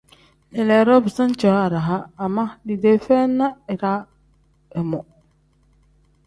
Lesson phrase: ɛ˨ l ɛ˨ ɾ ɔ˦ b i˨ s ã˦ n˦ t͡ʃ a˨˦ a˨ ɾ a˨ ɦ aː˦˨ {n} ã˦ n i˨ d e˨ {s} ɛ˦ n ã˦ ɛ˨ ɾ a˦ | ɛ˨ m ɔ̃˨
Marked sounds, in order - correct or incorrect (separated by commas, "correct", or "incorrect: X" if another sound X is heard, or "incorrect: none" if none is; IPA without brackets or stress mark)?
incorrect: m, incorrect: f